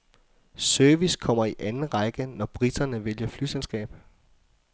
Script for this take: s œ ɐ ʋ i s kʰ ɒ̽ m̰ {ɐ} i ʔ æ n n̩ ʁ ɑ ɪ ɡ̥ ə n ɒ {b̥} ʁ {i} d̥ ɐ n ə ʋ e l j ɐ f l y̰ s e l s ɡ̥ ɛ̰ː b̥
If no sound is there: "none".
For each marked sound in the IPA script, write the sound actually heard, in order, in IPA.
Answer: ɐ, b̥, i

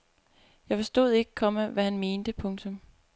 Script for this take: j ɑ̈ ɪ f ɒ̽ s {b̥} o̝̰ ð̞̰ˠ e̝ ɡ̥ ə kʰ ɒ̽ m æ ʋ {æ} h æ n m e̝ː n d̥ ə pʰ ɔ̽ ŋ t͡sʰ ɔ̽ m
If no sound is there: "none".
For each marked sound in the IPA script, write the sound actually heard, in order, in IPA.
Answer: d̥, æ

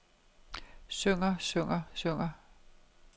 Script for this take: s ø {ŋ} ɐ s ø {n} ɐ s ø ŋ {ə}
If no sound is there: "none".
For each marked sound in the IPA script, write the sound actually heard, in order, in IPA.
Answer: ŋ, ŋ, ɐ

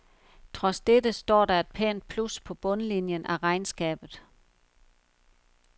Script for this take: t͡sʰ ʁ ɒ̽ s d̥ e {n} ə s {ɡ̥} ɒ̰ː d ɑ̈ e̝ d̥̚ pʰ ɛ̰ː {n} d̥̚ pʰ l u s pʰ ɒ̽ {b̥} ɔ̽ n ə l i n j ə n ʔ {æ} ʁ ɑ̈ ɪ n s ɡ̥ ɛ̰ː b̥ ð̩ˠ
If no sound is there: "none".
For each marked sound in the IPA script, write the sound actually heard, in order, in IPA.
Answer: d, d̥, n, b̥, æ

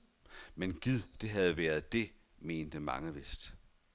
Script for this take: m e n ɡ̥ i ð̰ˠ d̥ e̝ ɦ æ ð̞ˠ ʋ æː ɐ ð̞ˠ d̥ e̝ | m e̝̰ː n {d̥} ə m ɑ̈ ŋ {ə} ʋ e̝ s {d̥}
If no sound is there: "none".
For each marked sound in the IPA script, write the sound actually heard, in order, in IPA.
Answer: d̥, ə, d̥

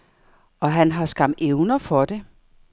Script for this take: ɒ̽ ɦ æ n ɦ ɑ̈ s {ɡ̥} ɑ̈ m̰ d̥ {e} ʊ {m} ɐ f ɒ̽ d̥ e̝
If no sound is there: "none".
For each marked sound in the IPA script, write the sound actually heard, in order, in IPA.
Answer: ɡ̥, e, n

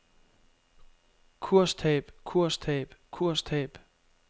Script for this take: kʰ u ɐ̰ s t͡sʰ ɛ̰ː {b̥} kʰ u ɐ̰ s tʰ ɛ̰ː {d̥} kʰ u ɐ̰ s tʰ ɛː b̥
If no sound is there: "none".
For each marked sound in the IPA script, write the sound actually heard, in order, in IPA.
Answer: b̥, b̥

